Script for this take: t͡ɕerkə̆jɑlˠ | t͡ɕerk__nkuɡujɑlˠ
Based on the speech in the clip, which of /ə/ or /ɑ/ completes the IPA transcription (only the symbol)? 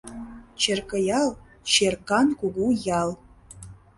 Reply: ɑ